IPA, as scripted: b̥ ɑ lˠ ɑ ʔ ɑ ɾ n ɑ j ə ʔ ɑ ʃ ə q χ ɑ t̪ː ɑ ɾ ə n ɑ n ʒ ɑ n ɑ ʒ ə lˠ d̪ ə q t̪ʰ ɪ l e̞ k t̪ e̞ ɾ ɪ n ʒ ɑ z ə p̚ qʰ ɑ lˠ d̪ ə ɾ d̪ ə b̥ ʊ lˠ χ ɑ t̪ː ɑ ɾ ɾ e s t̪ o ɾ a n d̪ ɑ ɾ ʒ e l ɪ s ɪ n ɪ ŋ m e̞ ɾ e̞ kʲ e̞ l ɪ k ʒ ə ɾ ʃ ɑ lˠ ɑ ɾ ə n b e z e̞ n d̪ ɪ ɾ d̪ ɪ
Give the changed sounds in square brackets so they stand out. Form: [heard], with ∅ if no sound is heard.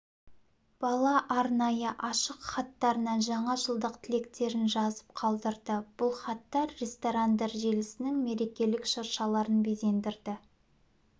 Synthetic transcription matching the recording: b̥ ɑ lˠ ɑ ʔ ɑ ɾ n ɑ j ə ʔ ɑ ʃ ə q χ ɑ t̪ː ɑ ɾ ə n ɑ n ʒ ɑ [ɴ] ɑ ʒ ə lˠ d̪ ə q t̪ʰ ɪ l e̞ k t̪ e̞ ɾ ɪ n ʒ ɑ z ə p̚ qʰ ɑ lˠ d̪ ə ɾ d̪ ə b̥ ʊ lˠ χ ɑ t̪ː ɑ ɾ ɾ e s t̪ o ɾ a n d̪ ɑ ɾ ʒ e l ɪ s ɪ n ɪ ŋ m e̞ ɾ e̞ kʲ e̞ l ɪ k [ʃ] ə ɾ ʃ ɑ lˠ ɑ ɾ ə n b e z e̞ n d̪ ɪ ɾ d̪ ɪ